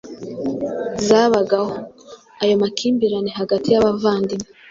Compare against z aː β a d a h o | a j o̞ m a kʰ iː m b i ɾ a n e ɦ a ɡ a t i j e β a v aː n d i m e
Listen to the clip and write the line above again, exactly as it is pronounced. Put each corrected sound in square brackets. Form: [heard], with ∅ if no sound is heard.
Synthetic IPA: z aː β a [ɡ] a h o | a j o̞ m a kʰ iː m b i ɾ a n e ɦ a ɡ a t i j [a] β a v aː n d i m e